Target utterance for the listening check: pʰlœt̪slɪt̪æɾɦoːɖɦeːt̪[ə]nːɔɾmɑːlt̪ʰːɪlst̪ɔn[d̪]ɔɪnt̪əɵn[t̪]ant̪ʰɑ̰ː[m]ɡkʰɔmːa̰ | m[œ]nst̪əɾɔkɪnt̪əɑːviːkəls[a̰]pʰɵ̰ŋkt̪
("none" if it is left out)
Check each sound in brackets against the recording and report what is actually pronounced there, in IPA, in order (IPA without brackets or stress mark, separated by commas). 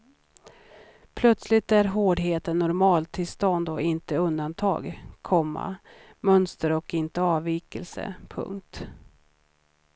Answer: ə, d̪, d̪, none, œ, ə̰